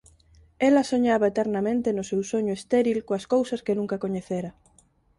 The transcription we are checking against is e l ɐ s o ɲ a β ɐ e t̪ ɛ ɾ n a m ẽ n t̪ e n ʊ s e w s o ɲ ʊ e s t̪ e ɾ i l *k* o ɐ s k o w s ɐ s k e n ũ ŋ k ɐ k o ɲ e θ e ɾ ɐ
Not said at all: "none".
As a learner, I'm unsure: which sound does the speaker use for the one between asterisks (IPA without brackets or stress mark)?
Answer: k